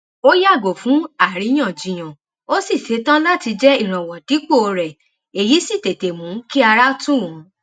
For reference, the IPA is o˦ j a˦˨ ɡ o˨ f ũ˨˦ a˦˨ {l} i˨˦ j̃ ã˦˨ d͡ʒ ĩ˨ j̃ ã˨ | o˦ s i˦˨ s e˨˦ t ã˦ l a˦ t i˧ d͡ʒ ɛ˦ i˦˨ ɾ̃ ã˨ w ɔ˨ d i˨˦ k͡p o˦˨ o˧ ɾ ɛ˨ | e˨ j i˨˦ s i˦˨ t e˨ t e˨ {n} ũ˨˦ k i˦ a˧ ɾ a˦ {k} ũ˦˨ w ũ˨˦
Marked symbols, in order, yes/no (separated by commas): no, no, no